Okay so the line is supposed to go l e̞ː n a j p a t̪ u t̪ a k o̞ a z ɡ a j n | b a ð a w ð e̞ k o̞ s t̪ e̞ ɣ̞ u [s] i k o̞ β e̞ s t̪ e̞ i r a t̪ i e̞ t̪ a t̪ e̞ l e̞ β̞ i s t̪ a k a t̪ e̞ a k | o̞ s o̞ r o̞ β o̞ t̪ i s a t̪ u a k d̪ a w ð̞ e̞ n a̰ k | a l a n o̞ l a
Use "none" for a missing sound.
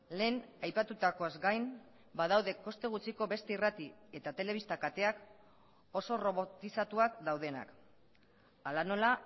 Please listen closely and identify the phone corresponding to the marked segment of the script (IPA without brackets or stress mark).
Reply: t͡s